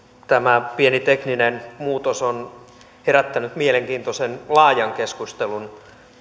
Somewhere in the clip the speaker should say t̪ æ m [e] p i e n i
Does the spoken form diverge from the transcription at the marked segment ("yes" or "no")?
yes